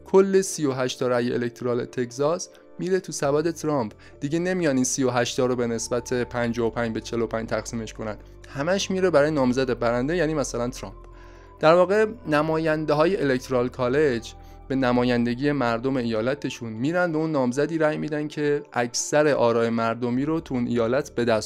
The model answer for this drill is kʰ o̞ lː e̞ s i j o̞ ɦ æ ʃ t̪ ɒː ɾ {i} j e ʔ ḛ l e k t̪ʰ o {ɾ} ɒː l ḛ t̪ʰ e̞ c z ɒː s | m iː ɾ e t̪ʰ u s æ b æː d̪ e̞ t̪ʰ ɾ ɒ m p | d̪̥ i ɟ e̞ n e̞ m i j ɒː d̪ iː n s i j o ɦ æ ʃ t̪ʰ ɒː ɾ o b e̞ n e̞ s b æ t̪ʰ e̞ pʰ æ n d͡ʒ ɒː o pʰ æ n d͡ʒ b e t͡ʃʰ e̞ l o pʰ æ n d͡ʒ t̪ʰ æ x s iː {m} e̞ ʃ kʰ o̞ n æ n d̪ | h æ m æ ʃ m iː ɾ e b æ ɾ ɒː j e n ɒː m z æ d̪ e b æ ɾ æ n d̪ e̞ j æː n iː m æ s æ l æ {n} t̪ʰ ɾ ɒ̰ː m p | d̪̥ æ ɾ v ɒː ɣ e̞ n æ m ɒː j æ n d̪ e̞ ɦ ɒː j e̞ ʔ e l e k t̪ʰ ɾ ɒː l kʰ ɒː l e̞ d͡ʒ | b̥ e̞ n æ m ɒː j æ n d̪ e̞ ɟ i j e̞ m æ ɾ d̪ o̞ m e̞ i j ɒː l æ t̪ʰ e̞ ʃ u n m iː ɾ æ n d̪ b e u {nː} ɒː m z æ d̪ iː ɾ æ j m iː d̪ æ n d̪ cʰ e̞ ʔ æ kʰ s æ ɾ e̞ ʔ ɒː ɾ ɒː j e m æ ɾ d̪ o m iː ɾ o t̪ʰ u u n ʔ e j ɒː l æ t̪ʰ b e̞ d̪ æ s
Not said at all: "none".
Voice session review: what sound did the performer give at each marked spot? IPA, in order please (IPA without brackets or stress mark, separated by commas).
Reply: æ, ɾ, m, n, nː